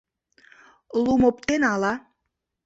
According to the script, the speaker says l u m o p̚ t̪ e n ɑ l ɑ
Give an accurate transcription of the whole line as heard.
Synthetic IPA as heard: l u m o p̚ t̪ e n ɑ l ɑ